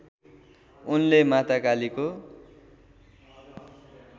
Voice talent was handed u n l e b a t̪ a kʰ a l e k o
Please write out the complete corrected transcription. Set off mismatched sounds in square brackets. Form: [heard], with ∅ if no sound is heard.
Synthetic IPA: u n l e [m] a t̪ a [k] a l [i] k o

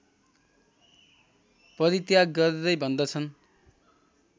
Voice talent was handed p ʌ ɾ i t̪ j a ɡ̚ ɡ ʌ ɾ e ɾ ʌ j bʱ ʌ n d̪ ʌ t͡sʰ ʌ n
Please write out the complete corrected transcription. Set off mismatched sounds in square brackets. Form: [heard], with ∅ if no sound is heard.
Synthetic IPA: p ʌ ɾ i t̪ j a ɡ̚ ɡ ʌ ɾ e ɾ ʌ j bʱ ʌ n d̪ ʌ t͡sʰ ʌ n

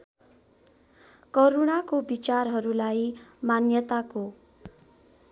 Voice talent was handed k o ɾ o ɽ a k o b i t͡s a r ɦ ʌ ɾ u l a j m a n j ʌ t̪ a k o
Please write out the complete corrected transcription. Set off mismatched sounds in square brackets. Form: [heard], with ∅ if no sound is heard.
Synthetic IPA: k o ɾ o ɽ a k o b i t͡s a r ɦ ʌ ɾ u l a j m a n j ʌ t̪ a k o

